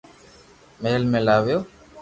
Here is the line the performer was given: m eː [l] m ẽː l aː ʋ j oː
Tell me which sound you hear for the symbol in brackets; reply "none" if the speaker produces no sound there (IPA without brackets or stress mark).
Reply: l